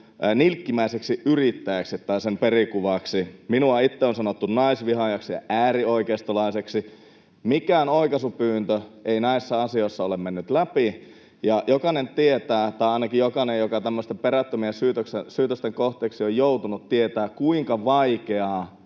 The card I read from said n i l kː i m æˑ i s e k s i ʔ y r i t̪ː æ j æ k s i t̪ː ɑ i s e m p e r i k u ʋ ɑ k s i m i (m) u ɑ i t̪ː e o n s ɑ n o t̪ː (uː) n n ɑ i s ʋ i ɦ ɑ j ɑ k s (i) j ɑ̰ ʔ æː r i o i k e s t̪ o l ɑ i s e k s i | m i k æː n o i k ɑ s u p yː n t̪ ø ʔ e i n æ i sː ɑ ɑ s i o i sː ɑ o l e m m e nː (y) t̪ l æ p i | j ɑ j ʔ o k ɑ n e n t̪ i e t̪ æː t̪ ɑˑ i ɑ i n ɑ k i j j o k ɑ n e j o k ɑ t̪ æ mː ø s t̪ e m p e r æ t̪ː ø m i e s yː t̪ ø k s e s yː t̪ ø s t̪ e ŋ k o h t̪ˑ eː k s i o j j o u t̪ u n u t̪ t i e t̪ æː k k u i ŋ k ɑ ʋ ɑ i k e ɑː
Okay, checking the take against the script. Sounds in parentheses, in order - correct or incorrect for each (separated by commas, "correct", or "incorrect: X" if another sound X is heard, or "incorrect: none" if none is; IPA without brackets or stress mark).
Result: incorrect: n, incorrect: u, correct, correct